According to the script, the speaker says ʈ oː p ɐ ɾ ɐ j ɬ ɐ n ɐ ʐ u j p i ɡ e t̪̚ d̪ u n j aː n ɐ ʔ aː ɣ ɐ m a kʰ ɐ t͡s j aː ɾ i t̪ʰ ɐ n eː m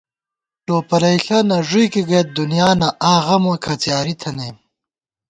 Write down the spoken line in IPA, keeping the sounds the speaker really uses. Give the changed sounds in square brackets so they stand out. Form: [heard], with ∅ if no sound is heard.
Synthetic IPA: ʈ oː p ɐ ɾ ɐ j ɬ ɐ n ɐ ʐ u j [k] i ɡ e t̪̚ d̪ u n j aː n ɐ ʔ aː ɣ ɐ m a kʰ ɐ t͡s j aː ɾ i t̪ʰ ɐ n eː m